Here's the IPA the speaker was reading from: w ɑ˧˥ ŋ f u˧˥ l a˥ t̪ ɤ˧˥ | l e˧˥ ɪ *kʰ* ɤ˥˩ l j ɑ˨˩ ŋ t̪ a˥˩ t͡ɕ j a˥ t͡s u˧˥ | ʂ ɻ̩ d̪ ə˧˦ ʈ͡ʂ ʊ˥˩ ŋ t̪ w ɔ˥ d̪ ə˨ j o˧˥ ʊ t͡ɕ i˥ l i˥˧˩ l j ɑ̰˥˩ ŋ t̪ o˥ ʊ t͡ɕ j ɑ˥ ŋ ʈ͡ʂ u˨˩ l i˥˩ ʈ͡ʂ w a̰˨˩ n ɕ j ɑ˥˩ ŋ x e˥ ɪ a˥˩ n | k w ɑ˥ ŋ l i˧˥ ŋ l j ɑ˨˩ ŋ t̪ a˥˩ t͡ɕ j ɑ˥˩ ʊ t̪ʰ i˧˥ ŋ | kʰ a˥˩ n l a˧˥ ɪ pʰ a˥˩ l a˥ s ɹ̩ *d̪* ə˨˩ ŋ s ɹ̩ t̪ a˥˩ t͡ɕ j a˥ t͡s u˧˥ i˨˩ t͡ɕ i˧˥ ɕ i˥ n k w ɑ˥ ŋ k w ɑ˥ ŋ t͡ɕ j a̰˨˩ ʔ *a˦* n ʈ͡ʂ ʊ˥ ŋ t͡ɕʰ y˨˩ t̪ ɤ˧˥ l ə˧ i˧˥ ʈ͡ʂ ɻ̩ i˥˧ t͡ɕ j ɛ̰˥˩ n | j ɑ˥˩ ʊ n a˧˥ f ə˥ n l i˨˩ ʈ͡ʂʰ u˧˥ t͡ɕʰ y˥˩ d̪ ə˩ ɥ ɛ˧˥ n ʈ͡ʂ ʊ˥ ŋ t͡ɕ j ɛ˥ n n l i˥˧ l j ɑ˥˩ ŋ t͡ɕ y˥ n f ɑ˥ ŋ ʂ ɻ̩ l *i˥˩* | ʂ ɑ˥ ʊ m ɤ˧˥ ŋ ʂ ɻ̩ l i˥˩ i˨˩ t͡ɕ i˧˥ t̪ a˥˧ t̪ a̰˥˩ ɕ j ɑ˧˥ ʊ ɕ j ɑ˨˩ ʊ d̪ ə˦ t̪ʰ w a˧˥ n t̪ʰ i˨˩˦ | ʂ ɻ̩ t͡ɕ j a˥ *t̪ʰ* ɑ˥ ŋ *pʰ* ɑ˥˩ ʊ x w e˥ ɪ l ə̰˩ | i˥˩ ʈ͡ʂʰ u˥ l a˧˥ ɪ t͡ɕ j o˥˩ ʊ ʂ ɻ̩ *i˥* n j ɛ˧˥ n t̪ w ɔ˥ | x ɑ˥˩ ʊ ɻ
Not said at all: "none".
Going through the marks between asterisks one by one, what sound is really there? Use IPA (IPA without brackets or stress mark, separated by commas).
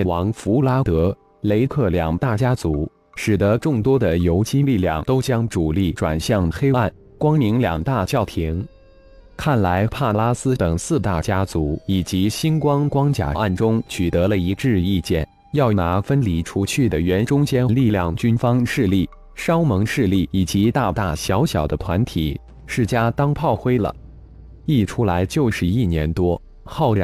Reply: kʰ, t̪, a˥˩, i˥˩, t̪, pʰ, i˥˩